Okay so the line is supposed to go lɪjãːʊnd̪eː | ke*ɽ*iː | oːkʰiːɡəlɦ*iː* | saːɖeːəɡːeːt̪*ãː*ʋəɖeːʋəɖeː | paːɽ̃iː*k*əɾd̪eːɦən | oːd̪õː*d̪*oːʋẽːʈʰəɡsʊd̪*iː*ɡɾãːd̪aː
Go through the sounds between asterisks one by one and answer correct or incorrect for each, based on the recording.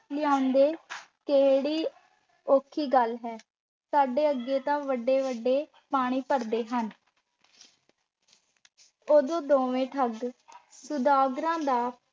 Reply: correct, incorrect, correct, incorrect, correct, incorrect

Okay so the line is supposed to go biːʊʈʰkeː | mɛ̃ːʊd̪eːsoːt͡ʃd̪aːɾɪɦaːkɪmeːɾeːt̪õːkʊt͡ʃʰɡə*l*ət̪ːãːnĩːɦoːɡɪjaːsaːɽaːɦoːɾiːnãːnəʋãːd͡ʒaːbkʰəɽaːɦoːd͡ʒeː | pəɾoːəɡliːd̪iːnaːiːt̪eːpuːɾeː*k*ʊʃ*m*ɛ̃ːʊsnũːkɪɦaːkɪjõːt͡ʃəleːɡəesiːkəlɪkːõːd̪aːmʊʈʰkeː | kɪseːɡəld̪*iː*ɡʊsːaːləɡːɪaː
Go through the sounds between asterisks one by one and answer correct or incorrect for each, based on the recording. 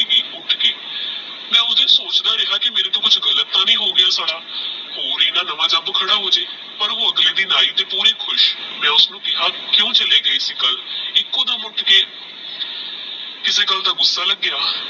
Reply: correct, incorrect, correct, incorrect

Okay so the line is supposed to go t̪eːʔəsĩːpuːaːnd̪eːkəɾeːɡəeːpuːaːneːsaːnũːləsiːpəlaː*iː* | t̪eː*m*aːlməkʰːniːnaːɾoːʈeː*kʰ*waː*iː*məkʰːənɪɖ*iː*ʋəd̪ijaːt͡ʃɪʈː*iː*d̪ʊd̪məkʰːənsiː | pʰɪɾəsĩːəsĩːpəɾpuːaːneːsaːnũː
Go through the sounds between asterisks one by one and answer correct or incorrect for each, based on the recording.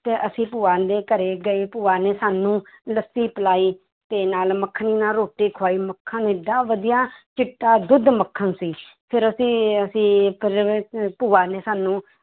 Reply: correct, incorrect, correct, correct, incorrect, incorrect

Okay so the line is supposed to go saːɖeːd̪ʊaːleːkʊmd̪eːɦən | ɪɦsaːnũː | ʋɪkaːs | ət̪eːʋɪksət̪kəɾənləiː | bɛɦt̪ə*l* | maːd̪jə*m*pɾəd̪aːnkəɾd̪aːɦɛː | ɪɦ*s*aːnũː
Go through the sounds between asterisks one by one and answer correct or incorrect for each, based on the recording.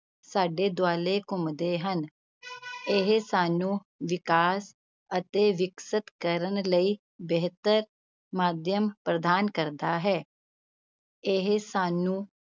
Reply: incorrect, correct, correct

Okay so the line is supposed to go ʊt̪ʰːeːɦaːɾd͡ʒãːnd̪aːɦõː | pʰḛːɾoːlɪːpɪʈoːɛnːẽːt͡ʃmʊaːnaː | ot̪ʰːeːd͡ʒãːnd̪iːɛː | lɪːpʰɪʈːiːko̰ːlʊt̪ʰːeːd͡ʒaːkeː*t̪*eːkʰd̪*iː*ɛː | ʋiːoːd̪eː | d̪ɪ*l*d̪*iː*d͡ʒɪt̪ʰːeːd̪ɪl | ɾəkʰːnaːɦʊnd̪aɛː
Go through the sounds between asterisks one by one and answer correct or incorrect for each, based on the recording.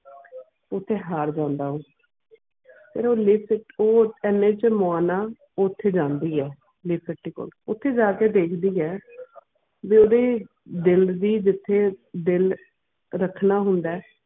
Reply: incorrect, correct, correct, correct

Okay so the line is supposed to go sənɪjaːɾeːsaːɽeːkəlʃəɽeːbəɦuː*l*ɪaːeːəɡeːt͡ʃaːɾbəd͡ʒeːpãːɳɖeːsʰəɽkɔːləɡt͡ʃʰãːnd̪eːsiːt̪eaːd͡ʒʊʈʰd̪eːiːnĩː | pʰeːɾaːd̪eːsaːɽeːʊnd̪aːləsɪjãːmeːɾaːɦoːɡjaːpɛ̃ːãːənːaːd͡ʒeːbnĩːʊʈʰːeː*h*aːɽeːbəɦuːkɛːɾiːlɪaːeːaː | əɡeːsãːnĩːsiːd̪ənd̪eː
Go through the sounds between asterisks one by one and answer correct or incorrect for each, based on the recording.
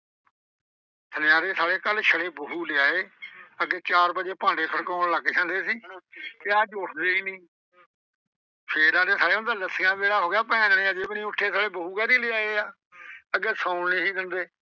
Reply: correct, incorrect

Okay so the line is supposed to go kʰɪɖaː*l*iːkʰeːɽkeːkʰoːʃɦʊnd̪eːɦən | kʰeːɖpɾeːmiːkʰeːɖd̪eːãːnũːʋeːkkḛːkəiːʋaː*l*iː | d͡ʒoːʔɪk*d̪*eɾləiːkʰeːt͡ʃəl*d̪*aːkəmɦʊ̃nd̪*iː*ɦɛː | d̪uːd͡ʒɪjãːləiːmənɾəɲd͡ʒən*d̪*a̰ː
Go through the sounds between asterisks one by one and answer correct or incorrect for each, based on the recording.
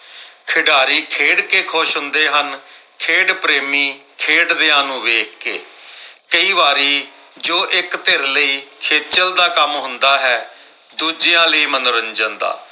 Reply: incorrect, incorrect, incorrect, correct, incorrect, correct

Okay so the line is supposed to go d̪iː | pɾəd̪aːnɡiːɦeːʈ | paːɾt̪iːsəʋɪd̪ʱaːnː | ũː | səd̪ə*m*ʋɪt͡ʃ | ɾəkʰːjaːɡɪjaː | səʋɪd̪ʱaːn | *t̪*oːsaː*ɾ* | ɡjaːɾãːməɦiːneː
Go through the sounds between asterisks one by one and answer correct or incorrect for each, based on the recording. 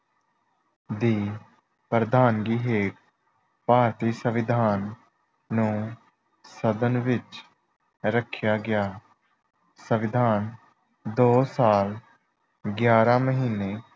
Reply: incorrect, incorrect, incorrect

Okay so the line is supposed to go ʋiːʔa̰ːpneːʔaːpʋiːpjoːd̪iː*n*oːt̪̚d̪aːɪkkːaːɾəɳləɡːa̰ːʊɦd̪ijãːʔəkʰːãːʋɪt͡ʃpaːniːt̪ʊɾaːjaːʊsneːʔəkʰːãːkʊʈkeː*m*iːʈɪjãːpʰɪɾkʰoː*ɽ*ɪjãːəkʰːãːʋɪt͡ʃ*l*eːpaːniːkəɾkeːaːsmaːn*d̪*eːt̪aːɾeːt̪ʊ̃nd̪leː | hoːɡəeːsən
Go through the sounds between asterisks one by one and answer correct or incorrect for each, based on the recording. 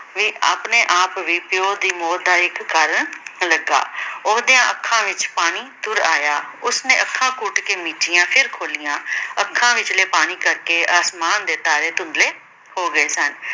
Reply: incorrect, correct, incorrect, correct, correct

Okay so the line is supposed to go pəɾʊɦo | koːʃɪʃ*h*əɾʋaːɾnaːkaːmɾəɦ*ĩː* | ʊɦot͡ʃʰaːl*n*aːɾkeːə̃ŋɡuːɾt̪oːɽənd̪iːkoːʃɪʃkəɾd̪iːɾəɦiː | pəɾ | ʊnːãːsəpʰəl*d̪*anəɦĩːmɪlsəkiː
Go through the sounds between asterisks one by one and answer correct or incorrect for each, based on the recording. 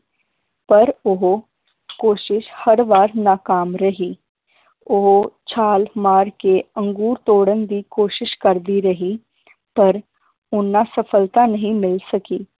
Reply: correct, incorrect, incorrect, incorrect

